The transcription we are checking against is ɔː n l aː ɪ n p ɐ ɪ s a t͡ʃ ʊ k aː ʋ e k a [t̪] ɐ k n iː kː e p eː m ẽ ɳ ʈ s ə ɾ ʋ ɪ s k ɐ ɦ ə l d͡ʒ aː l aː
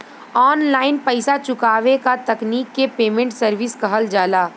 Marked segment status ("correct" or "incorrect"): correct